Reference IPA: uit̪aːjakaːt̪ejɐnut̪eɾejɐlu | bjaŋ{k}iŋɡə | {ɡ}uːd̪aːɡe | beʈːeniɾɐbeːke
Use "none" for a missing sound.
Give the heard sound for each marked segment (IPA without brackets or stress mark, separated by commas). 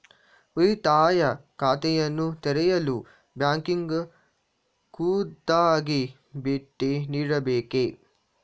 k, k